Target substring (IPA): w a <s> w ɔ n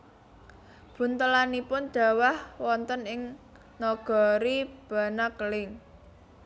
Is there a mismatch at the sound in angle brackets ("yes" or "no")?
yes